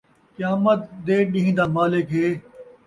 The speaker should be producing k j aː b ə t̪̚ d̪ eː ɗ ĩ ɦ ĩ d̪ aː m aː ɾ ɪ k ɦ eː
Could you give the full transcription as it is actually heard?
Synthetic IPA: k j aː m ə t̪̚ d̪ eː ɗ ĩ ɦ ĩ d̪ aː m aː l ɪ k ɦ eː